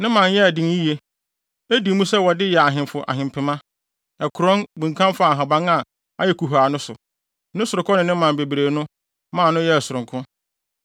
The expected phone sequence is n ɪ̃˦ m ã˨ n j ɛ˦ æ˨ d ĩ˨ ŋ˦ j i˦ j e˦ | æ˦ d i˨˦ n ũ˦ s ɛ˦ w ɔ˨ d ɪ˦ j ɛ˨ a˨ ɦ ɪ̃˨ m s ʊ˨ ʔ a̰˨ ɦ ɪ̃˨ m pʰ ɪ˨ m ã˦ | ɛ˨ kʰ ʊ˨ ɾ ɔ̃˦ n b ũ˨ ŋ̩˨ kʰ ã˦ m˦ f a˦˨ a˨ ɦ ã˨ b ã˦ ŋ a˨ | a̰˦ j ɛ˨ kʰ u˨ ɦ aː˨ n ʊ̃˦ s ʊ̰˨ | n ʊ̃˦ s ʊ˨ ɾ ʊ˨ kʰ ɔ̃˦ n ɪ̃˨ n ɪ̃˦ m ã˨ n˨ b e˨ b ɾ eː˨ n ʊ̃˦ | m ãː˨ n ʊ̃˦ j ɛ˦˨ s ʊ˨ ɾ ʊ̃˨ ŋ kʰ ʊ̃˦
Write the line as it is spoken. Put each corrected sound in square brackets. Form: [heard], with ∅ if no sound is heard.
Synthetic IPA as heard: n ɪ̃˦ m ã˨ n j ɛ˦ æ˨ d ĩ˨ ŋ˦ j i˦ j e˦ | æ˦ d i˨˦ [m] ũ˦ s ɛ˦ w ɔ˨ d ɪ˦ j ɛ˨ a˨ ɦ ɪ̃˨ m [f] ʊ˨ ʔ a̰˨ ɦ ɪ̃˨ m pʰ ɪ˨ m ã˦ | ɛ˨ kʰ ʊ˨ ɾ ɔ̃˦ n b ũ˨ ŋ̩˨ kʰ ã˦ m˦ f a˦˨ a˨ ɦ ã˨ b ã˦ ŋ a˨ | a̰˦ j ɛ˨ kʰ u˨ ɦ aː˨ n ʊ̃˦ s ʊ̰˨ | n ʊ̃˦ s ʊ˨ ɾ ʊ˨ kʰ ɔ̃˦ n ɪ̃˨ n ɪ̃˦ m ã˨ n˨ b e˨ b ɾ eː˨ n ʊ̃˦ | m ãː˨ n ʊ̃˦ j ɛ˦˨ s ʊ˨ ɾ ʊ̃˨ ŋ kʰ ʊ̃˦